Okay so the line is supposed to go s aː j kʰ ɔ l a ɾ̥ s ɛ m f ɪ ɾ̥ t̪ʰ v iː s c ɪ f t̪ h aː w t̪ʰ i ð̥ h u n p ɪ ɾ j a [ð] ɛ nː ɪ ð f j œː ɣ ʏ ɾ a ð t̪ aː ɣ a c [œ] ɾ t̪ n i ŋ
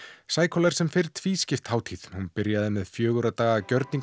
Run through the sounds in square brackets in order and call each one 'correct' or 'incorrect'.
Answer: correct, correct

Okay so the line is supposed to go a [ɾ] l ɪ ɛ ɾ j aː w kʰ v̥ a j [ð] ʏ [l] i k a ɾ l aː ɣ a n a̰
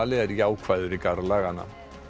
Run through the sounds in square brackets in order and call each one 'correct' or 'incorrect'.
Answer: incorrect: none, correct, incorrect: ɾ

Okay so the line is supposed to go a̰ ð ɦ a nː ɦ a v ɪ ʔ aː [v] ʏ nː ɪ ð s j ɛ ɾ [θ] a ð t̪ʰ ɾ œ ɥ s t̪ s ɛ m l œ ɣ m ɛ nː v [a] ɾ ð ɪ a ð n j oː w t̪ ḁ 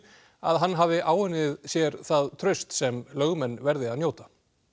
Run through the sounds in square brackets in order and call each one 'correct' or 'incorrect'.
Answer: incorrect: w, correct, incorrect: ɛ

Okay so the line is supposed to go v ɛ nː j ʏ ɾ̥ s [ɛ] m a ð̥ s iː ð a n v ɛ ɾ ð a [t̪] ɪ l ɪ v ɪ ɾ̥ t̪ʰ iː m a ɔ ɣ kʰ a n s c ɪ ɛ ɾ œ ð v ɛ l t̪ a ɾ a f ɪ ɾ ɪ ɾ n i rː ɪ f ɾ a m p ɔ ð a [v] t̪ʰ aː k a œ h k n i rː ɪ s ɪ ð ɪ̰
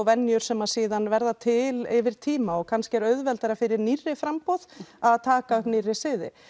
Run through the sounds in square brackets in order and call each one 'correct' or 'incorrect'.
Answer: correct, incorrect: t̪ʰ, incorrect: ð

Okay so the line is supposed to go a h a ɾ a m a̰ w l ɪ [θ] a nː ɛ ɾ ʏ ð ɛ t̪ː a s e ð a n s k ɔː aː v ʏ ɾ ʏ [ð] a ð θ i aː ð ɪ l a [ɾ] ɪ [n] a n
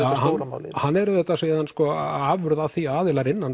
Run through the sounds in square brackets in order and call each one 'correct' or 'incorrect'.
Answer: incorrect: h, correct, correct, incorrect: nː

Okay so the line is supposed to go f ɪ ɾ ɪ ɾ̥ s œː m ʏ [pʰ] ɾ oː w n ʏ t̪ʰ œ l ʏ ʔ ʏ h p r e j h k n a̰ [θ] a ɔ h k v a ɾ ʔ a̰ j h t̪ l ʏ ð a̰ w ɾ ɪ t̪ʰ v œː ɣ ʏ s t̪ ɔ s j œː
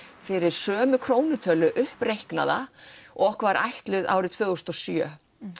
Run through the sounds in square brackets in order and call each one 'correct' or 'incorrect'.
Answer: incorrect: kʰ, incorrect: ð

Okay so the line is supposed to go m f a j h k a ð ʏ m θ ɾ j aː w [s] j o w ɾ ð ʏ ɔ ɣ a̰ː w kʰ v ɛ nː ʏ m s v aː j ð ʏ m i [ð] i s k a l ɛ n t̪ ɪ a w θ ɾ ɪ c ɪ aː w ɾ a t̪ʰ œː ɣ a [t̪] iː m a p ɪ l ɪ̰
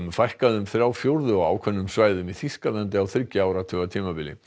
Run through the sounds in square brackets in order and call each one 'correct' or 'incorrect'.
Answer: incorrect: f, incorrect: θ, incorrect: t̪ʰ

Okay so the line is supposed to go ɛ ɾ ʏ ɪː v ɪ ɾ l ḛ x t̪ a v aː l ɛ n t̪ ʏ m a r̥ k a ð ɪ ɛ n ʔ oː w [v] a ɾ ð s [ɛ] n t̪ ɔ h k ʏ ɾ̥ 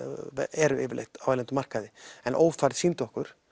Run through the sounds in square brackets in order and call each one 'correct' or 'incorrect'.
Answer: incorrect: f, incorrect: i

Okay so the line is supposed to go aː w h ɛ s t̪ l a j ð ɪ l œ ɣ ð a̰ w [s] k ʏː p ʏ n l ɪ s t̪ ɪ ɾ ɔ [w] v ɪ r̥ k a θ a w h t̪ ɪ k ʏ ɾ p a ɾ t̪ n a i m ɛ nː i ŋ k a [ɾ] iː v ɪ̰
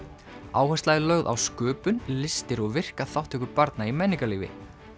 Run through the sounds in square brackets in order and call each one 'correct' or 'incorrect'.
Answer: correct, incorrect: ɣ, incorrect: l

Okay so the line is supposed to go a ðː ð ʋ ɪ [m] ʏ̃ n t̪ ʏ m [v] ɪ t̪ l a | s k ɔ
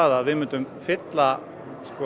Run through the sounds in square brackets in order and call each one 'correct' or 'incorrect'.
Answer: correct, incorrect: f

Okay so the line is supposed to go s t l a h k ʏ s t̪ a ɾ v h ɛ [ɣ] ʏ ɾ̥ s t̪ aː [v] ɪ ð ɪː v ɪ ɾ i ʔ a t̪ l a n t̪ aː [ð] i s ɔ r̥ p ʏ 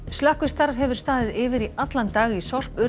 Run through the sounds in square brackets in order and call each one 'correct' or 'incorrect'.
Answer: incorrect: v, incorrect: ð, incorrect: ɣ

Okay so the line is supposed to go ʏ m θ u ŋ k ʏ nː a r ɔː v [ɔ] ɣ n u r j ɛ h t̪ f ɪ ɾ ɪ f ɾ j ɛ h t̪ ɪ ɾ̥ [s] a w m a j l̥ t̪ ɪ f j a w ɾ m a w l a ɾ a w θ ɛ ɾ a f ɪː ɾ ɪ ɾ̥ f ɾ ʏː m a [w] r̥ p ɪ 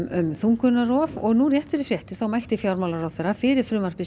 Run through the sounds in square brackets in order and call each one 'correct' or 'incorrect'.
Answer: correct, incorrect: θ, incorrect: none

